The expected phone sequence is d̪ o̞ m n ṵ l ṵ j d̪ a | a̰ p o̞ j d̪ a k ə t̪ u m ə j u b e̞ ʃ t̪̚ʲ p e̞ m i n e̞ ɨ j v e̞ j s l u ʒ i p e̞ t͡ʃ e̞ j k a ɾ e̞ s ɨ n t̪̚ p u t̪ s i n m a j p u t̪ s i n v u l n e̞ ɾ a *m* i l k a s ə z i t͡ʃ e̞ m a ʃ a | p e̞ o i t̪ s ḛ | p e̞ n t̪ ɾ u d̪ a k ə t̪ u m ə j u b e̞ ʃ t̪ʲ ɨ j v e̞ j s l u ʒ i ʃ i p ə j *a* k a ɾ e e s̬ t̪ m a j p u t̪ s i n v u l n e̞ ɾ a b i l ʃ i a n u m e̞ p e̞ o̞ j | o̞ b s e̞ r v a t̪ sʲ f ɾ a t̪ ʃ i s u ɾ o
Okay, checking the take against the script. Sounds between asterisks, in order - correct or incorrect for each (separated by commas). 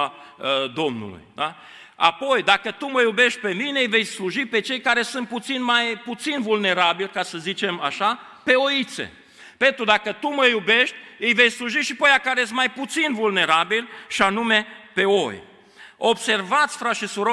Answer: incorrect, correct